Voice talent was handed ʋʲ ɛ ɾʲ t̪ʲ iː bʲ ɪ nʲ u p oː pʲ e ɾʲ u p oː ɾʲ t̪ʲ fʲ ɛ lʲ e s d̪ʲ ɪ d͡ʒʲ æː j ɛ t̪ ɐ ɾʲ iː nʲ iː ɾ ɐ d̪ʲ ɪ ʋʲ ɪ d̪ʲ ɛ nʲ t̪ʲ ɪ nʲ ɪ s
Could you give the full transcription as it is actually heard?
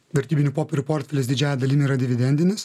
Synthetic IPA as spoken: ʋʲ ɛ ɾʲ t̪ʲ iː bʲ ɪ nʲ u p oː pʲ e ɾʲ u p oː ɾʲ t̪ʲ fʲ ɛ lʲ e s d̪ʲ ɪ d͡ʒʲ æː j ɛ d̪ ɐ lʲ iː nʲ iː ɾ ɐ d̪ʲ ɪ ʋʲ ɪ d̪ʲ ɛ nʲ d̪ʲ ɪ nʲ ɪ s